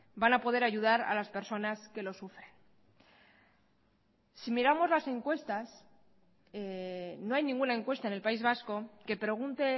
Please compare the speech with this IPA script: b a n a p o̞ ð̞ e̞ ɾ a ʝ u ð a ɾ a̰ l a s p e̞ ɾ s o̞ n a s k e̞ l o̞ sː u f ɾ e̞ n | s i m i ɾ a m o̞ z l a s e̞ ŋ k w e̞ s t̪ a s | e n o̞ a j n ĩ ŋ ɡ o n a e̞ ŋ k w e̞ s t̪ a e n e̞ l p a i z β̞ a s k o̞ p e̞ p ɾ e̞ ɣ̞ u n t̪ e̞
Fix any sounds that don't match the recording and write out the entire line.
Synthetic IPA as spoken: b a n a p o̞ ð̞ e̞ ɾ a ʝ u ð a ɾ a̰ l a s p e̞ ɾ s o̞ n a s k e̞ l o̞ s u f ɾ e̞ n | s i m i ɾ a m o̞ z l a s e̞ ŋ k w e̞ s t̪ a s | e n o̞ a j n ĩ ŋ ɡ u n a e̞ ŋ k w e̞ s t̪ a e n e̞ l p a i z β̞ a s k o̞ k e̞ p ɾ e̞ ɣ̞ u n t̪ e̞